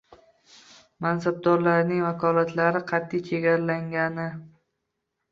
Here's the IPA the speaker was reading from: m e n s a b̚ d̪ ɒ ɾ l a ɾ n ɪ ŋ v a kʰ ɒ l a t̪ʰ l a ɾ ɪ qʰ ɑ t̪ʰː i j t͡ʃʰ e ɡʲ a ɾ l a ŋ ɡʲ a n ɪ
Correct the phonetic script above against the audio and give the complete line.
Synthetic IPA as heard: m a n s a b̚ d̪ ɒ ɾ l a ɾ n ɪ ŋ v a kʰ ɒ l a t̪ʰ l a ɾ ɪ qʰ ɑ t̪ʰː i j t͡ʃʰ e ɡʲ a ɾ l a ŋ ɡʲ a n ɪ